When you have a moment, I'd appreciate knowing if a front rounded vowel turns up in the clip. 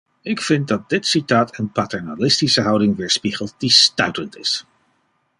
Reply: yes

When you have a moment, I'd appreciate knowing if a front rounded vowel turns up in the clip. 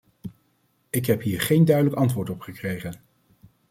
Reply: yes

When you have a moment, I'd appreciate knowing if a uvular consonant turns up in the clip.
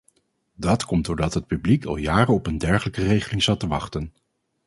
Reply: yes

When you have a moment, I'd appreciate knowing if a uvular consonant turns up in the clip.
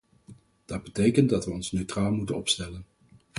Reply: no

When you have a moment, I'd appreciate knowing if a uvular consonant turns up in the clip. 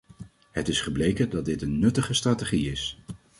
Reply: yes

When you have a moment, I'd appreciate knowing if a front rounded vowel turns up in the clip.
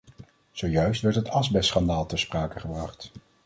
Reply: yes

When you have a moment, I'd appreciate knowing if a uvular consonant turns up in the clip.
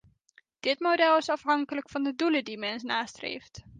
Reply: no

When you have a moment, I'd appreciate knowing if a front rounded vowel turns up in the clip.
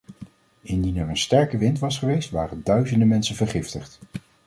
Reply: yes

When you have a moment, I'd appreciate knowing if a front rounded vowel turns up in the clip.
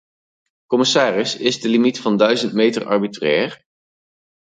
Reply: yes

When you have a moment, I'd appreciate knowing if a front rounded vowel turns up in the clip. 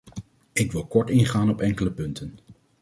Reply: no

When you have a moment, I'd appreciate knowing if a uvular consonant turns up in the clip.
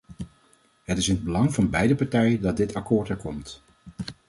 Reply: no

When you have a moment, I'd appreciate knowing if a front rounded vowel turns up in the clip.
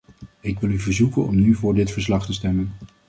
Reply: yes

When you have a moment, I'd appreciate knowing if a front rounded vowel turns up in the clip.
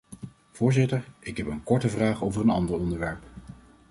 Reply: no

